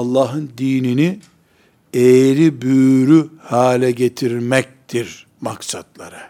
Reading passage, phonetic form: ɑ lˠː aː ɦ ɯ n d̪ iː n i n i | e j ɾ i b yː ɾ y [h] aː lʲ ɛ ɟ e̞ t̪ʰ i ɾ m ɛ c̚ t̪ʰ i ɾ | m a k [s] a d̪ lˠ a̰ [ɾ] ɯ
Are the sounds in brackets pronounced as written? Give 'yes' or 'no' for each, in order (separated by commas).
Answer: yes, yes, yes